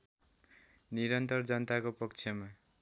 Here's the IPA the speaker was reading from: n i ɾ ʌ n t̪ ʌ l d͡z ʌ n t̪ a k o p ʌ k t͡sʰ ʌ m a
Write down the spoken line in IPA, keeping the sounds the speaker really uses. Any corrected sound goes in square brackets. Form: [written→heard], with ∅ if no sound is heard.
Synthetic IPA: n i ɾ ʌ n t̪ ʌ [l→r] d͡z ʌ n t̪ a k o p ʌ k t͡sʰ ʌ m a